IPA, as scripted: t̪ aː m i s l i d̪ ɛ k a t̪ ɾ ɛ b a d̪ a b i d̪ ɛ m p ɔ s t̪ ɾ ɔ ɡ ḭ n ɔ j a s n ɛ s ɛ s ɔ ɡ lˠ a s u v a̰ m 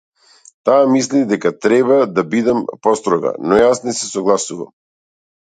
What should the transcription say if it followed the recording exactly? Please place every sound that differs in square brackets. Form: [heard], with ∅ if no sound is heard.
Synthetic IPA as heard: t̪ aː m i s l i d̪ ɛ k a t̪ ɾ ɛ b a d̪ a b i d̪ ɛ m p ɔ s t̪ ɾ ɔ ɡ [a̰] n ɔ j a s n ɛ s ɛ s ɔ ɡ lˠ a s u v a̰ m